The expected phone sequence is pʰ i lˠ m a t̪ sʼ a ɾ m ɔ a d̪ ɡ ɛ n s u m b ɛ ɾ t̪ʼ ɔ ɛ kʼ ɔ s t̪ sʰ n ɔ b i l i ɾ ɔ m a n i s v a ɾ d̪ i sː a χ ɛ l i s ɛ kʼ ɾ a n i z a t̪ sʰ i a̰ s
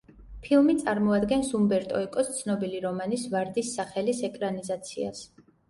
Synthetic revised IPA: pʰ i lˠ m i t̪ sʼ a ɾ m ɔ a d̪ ɡ ɛ n s u m b ɛ ɾ t̪ʼ ɔ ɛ kʼ ɔ s t̪ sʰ n ɔ b i l i ɾ ɔ m a n i s v a ɾ d̪ i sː a χ ɛ l i s ɛ kʼ ɾ a n i z a t̪ sʰ i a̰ s

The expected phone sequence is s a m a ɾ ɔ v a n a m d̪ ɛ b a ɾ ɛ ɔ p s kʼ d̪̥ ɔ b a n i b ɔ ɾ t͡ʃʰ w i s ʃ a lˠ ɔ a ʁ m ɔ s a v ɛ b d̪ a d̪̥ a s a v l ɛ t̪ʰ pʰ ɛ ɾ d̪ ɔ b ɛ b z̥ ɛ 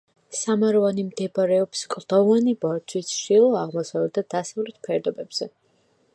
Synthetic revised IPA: s a m a ɾ ɔ v a n i m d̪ ɛ b a ɾ ɛ ɔ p s kʼ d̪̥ ɔ v a n i b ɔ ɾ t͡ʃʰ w i s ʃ i lˠ ɔ a ʁ m ɔ s a v ɛ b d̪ a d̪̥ a s a v l ɛ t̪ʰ pʰ ɛ ɾ d̪ ɔ b ɛ b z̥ ɛ

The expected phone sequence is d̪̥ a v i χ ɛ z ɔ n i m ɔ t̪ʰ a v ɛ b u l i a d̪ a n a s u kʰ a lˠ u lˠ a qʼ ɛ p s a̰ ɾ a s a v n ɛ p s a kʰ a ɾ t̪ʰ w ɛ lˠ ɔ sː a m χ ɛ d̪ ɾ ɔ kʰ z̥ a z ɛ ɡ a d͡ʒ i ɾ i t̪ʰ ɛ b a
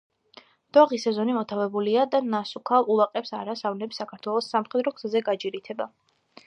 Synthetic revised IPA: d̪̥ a ʁ i s ɛ z ɔ n i m ɔ t̪ʰ a v ɛ b u l i a d̪ a n a s u kʰ a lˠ u lˠ a qʼ ɛ p s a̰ ɾ a s a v n ɛ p s a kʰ a ɾ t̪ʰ w ɛ lˠ ɔ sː a m χ ɛ d̪ ɾ ɔ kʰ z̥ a z ɛ ɡ a d͡ʒ i ɾ i t̪ʰ ɛ b a

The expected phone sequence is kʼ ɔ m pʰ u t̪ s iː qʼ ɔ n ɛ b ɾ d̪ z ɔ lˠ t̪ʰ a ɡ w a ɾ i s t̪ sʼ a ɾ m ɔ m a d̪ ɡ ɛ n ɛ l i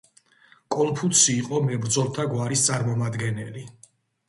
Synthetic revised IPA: kʼ ɔ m pʰ u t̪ s iː qʼ ɔ m ɛ b ɾ d̪ z ɔ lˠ t̪ʰ a ɡ w a ɾ i s t̪ sʼ a ɾ m ɔ m a d̪ ɡ ɛ n ɛ l i

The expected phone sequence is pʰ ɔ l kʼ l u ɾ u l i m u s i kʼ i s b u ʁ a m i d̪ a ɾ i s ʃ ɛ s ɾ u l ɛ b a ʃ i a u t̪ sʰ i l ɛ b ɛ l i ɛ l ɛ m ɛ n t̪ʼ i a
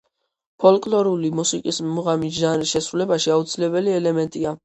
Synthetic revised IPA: pʰ ɔ l kʼ l ɔ ɾ u l i m u s i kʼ i s m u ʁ a m i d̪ a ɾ i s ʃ ɛ s ɾ u l ɛ b a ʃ i a u t̪ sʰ i l ɛ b ɛ l i ɛ l ɛ m ɛ n t̪ʼ i a

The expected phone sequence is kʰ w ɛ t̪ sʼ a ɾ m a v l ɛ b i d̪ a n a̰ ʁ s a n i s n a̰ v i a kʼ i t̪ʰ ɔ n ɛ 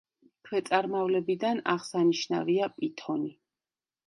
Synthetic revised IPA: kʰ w ɛ t̪ sʼ a ɾ m a v l ɛ b i d̪ a n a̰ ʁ s a n i ʃ n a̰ v i a pʼ i t̪ʰ ɔ n i

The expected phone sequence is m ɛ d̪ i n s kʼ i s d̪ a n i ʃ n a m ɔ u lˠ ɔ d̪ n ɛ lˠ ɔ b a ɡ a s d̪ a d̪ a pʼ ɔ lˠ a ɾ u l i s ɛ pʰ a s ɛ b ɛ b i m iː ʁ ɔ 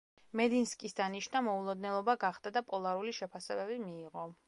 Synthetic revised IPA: m ɛ d̪ i n s kʼ i s d̪ a n i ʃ n a m ɔ u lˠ ɔ d̪ n ɛ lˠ ɔ b a ɡ a χ d̪ a d̪ a pʼ ɔ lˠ a ɾ u l i ʃ ɛ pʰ a s ɛ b ɛ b i m iː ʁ ɔ

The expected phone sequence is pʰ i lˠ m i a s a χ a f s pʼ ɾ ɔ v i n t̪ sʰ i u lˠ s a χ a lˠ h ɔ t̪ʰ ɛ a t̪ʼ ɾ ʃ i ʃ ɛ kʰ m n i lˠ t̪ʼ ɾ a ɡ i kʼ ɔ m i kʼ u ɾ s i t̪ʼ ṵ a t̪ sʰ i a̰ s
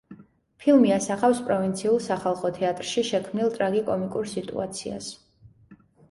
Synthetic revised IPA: pʰ i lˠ m i a s a χ a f s pʼ ɾ ɔ v i n t̪ sʰ i u lˠ s a χ a lˠ χ ɔ t̪ʰ ɛ a t̪ʼ ɾ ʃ i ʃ ɛ kʰ m n i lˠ t̪ʼ ɾ a ɡ i kʼ ɔ m i kʼ u ɾ s i t̪ʼ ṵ a t̪ sʰ i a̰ s

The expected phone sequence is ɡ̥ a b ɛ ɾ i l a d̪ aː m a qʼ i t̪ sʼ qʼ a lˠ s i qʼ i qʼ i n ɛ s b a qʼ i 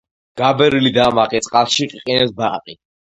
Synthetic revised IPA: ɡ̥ a b ɛ ɾ i l i d̪ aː m a qʼ i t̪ sʼ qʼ a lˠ ʃ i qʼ i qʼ i n ɛ s b a qʼ i

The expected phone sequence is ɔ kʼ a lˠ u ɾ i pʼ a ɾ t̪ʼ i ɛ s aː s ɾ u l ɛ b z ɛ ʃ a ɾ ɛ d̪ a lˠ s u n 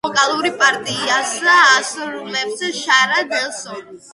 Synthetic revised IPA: ɔ kʼ a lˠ u ɾ i pʼ a ɾ t̪ʼ i a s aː s ɾ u l ɛ b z ɛ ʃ a ɾ a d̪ ɛ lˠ s ɔ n

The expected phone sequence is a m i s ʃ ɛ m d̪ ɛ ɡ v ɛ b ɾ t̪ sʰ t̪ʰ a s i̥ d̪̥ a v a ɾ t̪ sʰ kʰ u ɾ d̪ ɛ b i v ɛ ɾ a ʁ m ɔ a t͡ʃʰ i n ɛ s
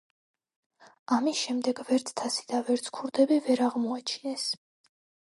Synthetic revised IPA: a m i s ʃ ɛ m d̪ ɛ ɡ v ɛ ɾ t̪ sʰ t̪ʰ a s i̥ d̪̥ a v ɛ ɾ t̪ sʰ kʰ u ɾ d̪ ɛ b i v ɛ ɾ a ʁ m ɔ a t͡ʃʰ i n ɛ s

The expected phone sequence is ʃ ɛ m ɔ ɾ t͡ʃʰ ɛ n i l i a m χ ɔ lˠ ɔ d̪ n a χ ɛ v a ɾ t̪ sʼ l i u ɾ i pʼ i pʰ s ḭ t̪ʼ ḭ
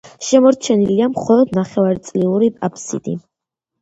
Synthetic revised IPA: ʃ ɛ m ɔ ɾ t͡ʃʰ ɛ n i l i a m χ ɔ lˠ ɔ d̪ n a χ ɛ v a ɾ t̪ sʼ l i u ɾ i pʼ a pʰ s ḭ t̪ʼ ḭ

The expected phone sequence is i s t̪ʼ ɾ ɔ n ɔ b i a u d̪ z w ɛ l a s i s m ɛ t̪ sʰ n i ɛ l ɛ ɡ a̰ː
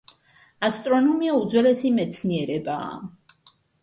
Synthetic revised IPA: a s t̪ʼ ɾ ɔ n ɔ m i a u d̪ z w ɛ l ɛ s i m ɛ t̪ sʰ n i ɛ ɾ ɛ b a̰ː

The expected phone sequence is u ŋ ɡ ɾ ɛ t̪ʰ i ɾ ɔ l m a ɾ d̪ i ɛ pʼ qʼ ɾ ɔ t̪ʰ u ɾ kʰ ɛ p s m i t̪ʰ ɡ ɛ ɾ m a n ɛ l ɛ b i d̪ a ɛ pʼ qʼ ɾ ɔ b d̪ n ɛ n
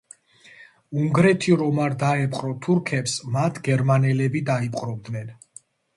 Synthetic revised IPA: u ŋ ɡ ɾ ɛ t̪ʰ i ɾ ɔ m a ɾ d̪ a ɛ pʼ qʼ ɾ ɔ t̪ʰ u ɾ kʰ ɛ p s m a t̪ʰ ɡ ɛ ɾ m a n ɛ l ɛ b i d̪ a i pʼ qʼ ɾ ɔ b d̪ n ɛ n

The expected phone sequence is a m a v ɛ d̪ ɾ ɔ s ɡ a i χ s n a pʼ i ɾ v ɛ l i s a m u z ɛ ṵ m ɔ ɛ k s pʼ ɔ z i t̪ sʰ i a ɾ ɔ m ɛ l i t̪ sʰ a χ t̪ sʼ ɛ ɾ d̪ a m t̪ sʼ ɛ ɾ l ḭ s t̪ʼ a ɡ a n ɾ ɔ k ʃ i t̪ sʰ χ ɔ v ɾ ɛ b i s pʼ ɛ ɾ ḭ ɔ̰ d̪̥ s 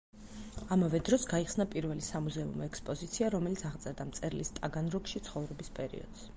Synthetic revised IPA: a m a v ɛ d̪ ɾ ɔ s ɡ a i χ s n a pʼ i ɾ v ɛ l i s a m u z ɛ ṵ m ɔ ɛ k s pʼ ɔ z i t̪ sʰ i a ɾ ɔ m ɛ l i t̪ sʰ a ʁ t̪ sʼ ɛ ɾ d̪ a m t̪ sʼ ɛ ɾ l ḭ s t̪ʼ a ɡ a n ɾ ɔ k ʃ i t̪ sʰ χ ɔ v ɾ ɛ b i s pʼ ɛ ɾ ḭ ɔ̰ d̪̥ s

